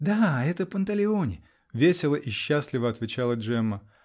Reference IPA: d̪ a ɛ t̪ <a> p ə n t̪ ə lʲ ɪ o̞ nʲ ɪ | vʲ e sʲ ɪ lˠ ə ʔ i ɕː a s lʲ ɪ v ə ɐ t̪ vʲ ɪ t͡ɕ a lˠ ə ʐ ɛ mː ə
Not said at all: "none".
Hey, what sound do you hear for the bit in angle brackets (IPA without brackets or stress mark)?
ə